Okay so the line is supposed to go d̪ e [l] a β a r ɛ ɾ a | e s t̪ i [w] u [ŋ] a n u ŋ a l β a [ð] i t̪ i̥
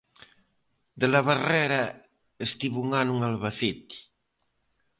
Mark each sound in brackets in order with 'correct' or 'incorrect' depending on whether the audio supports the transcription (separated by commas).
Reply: correct, incorrect, correct, incorrect